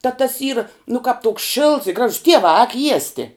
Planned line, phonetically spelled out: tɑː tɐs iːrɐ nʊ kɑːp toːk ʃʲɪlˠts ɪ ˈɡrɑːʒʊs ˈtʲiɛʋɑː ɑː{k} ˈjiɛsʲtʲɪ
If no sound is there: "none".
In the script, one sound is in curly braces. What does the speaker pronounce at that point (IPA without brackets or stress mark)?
k